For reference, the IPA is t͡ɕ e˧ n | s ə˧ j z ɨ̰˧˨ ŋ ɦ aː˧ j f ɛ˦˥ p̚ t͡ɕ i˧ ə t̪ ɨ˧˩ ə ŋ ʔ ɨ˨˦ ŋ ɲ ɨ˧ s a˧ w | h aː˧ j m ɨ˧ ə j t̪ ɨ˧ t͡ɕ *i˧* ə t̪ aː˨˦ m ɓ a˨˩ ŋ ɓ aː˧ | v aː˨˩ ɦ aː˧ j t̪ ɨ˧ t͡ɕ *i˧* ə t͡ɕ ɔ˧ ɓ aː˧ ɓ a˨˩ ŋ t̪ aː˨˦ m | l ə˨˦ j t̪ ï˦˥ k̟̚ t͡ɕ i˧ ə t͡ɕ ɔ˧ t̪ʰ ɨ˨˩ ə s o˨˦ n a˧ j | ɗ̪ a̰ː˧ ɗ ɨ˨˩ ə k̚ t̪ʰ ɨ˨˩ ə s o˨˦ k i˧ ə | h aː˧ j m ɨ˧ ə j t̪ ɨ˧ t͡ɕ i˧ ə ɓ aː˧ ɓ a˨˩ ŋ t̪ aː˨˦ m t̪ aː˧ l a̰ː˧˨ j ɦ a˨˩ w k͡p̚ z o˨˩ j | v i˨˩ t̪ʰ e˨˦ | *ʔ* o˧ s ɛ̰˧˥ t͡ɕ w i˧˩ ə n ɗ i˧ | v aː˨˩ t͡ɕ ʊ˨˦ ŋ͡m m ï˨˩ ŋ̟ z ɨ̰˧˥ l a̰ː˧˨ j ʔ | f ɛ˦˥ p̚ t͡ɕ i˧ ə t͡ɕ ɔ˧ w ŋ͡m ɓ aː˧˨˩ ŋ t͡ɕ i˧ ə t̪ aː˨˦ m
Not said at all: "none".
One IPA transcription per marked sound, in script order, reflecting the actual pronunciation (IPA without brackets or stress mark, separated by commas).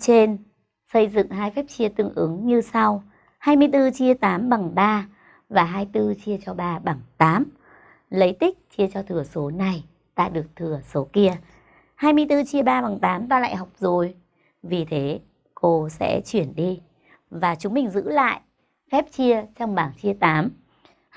i˧, i˧, k